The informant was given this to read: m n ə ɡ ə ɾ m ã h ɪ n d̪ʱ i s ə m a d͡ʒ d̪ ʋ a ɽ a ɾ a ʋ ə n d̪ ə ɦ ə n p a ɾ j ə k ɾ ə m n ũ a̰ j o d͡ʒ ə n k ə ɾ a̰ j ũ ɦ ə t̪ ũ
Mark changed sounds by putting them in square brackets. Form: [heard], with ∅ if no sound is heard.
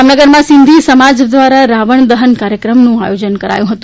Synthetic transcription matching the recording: m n ə ɡ ə ɾ m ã [s] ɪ n d̪ʱ i s ə m a d͡ʒ d̪ ʋ a [ɾ] a ɾ a ʋ ə [ɳ] d̪ ə ɦ ə n [k] a ɾ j ə k ɾ ə m n ũ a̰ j o d͡ʒ ə n k ə ɾ a̰ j ũ ɦ ə t̪ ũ